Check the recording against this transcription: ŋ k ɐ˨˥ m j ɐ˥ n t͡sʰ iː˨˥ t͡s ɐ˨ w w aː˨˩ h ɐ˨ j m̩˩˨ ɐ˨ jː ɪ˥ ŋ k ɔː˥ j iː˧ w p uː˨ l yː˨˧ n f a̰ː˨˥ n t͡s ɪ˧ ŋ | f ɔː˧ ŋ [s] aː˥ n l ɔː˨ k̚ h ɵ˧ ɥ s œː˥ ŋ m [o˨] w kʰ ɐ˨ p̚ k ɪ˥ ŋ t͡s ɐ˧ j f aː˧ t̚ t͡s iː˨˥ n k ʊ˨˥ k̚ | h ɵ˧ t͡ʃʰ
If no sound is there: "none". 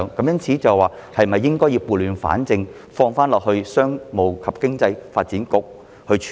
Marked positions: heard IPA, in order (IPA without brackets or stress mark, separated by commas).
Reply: f, o˨